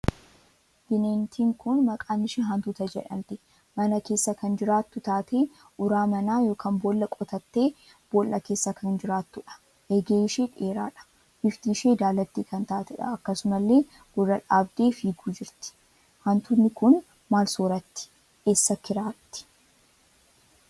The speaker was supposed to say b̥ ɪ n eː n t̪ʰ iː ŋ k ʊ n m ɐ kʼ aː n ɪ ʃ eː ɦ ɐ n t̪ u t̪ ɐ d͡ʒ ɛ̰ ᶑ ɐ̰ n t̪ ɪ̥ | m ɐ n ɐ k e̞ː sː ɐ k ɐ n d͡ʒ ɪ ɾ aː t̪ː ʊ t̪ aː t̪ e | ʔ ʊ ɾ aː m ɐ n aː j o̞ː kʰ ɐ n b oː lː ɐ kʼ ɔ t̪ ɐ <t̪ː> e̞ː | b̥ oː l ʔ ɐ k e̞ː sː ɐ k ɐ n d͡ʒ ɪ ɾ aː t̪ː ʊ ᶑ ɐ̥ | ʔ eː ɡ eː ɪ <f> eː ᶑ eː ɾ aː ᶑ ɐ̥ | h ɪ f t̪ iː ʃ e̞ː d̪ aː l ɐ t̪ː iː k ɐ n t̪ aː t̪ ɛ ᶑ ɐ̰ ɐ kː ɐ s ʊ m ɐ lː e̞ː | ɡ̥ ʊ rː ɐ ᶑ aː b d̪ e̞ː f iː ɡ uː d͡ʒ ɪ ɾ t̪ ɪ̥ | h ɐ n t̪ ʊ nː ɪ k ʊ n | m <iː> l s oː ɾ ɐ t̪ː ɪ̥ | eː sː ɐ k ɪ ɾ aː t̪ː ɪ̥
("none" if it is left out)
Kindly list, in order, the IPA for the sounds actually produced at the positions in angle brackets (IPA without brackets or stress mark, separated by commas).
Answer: t̪ː, ʃ, aː